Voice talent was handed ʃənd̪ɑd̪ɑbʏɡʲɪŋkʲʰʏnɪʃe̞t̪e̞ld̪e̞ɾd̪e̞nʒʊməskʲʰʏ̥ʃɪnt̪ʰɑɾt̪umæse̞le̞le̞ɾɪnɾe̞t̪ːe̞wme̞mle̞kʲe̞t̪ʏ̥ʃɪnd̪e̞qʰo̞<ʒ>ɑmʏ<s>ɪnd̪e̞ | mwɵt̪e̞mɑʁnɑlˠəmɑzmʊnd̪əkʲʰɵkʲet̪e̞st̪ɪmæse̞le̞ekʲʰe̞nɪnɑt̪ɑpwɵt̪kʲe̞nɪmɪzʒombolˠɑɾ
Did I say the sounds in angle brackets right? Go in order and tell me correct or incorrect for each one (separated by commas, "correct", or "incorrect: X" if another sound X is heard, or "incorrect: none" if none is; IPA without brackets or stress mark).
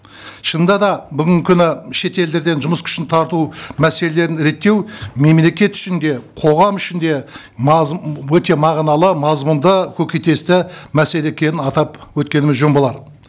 incorrect: ʁ, incorrect: ʃ